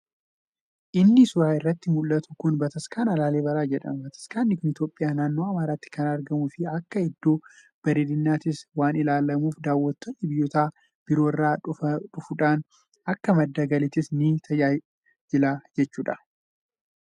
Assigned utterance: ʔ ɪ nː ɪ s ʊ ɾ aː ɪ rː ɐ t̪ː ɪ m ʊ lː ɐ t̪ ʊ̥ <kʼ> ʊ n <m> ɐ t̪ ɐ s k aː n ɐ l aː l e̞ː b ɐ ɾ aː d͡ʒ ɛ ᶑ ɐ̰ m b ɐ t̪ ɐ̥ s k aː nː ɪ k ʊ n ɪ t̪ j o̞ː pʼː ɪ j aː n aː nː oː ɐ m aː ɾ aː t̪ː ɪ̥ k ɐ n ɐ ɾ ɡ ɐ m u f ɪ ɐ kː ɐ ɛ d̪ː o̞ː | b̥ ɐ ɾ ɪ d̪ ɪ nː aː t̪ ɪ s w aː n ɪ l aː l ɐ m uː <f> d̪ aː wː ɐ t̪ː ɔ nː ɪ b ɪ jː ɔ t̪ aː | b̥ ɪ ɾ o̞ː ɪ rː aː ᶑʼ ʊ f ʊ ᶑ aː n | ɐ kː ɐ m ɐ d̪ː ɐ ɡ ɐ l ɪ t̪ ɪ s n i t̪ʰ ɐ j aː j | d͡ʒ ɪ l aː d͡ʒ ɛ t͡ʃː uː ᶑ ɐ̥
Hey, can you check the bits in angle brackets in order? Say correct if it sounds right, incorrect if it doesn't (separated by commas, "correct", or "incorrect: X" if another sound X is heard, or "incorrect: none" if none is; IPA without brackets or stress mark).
incorrect: k, incorrect: b, correct